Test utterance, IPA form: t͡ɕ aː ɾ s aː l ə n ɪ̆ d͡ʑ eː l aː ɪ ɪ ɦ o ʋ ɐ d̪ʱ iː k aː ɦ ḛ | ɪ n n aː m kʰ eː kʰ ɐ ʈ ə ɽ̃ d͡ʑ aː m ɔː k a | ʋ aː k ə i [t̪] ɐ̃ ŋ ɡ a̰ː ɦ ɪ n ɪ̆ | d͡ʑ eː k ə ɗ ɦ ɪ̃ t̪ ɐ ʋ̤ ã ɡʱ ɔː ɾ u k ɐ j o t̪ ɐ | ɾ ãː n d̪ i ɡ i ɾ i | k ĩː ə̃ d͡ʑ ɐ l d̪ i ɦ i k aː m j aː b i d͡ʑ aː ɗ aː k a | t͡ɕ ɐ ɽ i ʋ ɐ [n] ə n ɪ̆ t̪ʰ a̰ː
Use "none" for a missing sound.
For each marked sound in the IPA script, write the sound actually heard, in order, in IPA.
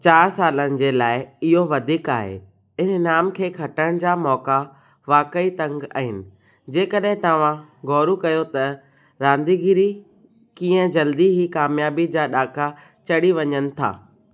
t̪, ɲ

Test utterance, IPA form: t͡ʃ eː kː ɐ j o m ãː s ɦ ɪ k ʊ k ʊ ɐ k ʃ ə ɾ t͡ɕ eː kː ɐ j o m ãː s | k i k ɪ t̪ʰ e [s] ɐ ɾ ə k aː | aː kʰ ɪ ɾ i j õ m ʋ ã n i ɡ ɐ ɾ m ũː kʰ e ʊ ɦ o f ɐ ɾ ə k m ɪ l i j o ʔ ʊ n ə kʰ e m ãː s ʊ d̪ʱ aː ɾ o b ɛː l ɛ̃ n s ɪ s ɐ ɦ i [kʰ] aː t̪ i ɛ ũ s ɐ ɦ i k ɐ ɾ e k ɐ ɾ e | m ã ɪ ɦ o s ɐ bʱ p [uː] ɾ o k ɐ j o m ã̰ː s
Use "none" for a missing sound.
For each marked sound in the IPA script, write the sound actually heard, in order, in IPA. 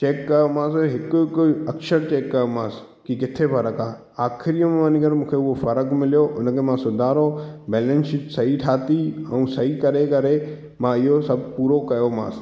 f, ʈʰ, uː

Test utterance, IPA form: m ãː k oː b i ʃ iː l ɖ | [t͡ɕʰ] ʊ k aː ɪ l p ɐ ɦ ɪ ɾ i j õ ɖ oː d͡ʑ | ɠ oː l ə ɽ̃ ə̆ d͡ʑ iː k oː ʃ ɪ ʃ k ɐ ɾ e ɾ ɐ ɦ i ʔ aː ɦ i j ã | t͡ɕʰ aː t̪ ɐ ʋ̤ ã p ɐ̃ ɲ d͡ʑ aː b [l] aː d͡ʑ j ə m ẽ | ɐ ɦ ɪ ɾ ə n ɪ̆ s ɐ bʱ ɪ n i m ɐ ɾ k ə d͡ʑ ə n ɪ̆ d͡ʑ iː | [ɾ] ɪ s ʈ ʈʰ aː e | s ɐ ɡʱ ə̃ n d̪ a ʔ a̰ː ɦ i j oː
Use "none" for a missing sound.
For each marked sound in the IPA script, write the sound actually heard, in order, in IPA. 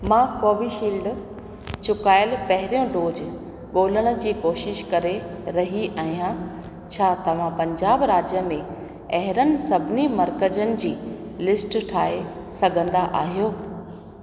t͡ɕ, ɾ, l

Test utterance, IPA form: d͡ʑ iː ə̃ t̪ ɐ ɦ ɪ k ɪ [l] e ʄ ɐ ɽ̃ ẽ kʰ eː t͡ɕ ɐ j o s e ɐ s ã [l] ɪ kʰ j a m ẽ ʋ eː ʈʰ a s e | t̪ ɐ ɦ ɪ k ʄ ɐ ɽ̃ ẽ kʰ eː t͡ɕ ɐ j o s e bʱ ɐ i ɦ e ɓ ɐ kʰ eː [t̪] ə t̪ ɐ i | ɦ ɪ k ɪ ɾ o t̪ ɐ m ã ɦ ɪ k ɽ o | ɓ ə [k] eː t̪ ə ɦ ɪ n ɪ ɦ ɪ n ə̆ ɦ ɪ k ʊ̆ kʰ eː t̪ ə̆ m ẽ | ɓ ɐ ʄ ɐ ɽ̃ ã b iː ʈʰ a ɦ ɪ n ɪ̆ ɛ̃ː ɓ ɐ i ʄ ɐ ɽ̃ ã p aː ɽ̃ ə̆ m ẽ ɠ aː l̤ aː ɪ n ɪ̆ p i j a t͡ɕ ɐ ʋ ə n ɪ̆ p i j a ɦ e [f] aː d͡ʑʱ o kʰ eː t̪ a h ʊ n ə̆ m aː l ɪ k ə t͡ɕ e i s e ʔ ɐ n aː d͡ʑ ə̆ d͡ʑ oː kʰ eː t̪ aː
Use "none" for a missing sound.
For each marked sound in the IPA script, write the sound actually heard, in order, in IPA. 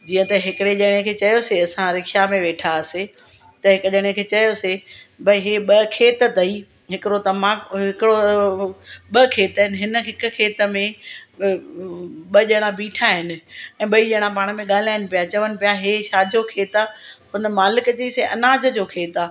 ɽ, ɾ, t̪, kʰ, ʃ

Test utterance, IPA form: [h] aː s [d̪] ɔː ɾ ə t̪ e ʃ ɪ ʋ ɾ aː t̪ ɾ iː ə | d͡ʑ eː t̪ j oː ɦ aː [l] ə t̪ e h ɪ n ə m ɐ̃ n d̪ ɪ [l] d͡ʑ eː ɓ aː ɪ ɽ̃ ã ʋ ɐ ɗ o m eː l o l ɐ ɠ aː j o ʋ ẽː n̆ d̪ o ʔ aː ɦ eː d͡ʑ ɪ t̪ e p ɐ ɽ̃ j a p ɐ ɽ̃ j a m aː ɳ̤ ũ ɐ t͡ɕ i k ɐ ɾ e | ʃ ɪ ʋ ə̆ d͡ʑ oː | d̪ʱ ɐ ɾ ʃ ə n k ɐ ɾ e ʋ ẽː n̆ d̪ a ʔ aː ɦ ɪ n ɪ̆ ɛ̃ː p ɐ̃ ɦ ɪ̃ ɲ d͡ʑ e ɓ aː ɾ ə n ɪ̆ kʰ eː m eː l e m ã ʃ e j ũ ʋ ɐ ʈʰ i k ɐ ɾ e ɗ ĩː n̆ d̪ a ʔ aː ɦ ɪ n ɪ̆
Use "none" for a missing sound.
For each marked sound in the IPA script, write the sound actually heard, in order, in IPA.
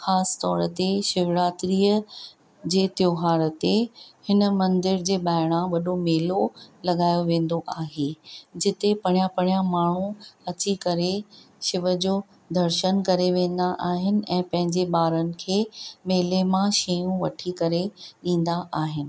x, t̪, ɾ, ɾ

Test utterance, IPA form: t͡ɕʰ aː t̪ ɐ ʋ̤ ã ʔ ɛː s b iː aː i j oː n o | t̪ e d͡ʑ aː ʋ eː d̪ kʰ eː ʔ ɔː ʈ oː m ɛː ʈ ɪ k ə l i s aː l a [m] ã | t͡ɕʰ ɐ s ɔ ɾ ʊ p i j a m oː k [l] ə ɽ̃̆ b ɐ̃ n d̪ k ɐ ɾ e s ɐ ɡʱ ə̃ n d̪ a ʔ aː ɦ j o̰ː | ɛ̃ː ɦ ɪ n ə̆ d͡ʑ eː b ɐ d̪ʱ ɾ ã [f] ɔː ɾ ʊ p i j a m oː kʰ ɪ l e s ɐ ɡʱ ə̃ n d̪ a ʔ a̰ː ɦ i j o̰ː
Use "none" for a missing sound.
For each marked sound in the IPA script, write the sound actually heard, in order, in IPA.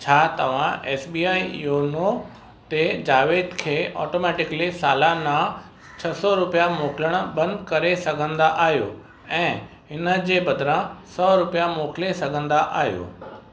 n, l, s

